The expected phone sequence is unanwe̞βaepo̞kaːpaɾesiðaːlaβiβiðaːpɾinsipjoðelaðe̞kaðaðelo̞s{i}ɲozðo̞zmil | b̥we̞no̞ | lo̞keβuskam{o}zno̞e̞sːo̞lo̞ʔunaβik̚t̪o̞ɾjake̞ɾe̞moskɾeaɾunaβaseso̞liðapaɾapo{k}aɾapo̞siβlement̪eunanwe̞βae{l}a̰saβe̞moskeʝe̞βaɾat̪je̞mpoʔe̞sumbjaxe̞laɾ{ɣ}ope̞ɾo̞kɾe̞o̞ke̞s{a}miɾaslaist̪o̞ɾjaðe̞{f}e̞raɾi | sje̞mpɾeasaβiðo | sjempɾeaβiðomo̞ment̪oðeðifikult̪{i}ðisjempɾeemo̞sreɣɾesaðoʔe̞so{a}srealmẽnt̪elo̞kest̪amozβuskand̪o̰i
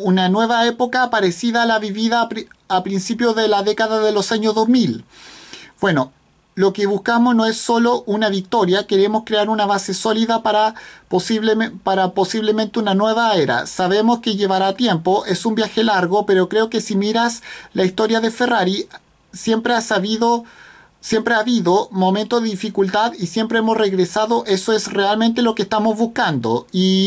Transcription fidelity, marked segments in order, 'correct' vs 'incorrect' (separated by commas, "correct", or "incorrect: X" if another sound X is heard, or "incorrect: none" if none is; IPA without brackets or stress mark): incorrect: a, correct, incorrect: p, incorrect: ɾ, correct, incorrect: i, correct, incorrect: a, incorrect: e